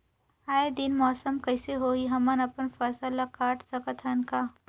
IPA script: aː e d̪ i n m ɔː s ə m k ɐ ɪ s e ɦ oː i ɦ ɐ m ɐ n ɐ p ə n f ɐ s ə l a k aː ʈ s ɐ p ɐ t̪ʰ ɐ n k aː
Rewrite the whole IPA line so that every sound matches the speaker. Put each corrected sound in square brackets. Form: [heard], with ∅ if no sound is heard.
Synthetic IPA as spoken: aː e d̪ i n m ɔː s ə m k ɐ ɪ s e ɦ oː i ɦ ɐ m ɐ n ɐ p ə n f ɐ s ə l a k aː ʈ s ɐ [k] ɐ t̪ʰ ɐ n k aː